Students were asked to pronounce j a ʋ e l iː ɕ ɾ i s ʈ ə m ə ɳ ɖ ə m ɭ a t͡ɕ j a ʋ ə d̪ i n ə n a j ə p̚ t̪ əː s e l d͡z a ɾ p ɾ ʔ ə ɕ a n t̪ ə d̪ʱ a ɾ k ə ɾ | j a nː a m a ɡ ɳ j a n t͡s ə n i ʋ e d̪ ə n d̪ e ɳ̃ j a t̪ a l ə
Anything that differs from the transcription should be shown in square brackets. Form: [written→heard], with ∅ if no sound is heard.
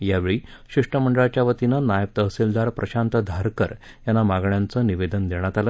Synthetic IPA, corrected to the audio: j a ʋ e [l→ɭ] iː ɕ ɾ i [s→ʂ] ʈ ə m ə ɳ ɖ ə [m→∅] ɭ a t͡ɕ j a ʋ ə [d̪→t̪] i n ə n a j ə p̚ t̪ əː s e l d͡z a ɾ p ɾ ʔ ə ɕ a n t̪ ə d̪ʱ a ɾ k ə ɾ | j a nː a m a ɡ ɳ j a n t͡s ə n i ʋ e d̪ ə n d̪ e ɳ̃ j a t̪ a l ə